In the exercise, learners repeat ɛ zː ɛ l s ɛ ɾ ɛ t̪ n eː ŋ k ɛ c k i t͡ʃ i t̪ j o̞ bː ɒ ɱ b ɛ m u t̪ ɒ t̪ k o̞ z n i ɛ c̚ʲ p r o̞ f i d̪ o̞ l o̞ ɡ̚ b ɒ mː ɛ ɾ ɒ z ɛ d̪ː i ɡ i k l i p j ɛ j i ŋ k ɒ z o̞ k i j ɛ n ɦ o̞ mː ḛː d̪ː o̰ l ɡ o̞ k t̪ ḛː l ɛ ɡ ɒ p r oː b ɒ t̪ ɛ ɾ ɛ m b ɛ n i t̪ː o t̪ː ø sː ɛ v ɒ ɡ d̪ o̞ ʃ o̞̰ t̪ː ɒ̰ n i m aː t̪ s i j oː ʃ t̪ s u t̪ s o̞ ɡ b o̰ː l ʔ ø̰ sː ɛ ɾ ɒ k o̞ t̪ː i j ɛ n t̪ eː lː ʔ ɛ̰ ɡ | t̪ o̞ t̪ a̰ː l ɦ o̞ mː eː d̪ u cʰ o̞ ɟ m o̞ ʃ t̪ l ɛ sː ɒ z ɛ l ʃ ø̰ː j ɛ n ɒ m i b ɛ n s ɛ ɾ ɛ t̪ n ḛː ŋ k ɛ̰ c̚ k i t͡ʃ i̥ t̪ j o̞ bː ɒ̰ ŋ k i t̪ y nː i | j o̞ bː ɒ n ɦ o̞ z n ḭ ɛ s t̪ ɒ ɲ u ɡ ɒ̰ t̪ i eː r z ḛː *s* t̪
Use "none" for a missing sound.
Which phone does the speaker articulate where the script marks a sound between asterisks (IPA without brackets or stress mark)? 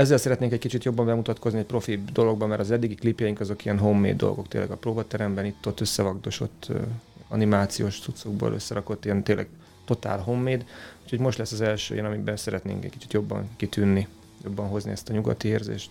ʃ